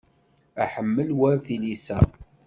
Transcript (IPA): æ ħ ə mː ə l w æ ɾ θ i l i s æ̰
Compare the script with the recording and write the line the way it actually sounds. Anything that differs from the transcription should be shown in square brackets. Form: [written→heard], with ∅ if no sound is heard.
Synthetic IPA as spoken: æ ħ ə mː ə l w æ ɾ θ i l i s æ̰